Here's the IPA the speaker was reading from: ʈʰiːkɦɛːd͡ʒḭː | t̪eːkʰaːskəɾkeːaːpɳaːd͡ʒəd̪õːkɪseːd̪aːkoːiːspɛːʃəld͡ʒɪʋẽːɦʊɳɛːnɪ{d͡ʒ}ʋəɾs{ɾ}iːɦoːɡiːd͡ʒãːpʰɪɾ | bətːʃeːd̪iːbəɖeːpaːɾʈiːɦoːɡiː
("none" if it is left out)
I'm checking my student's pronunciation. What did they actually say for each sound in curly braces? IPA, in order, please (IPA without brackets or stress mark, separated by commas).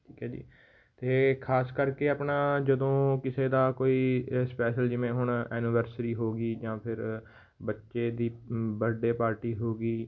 none, ɾ